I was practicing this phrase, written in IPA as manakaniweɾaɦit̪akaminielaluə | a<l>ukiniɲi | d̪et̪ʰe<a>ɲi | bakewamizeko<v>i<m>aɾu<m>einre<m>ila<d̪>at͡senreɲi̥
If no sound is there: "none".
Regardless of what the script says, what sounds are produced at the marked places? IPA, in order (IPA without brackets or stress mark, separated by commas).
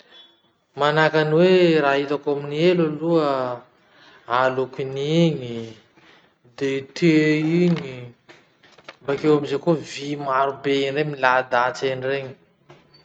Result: l, i, v, m, b, m, d̪